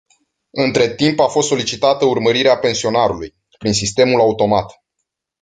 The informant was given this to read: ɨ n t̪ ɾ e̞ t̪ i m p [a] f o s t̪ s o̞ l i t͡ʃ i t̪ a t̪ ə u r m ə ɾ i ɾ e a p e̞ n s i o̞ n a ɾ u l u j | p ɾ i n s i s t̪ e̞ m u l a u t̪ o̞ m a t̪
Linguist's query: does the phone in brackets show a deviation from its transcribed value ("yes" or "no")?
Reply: no